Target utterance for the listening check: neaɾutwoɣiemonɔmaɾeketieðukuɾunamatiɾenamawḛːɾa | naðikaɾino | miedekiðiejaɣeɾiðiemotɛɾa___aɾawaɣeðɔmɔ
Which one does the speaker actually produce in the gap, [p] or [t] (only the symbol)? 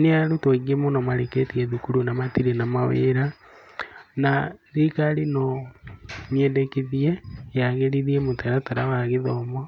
t